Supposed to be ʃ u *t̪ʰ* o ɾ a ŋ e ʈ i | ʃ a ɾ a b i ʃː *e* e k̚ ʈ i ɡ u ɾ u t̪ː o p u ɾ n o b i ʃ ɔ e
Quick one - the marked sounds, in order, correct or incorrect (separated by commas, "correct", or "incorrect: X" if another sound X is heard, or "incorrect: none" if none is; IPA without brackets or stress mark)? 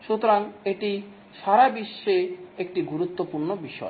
incorrect: t̪, correct